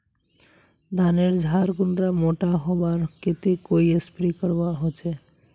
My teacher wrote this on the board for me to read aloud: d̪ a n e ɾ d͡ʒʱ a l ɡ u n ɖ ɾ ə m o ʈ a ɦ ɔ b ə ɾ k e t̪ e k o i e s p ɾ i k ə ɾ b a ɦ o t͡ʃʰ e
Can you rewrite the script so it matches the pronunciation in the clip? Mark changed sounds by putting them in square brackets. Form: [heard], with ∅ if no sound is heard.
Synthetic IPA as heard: d̪ a n e ɾ d͡ʒʱ a [ɾ] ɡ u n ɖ ɾ [a] m o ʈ a ɦ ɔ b [a] ɾ k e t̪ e k o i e s p ɾ i k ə ɾ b a ɦ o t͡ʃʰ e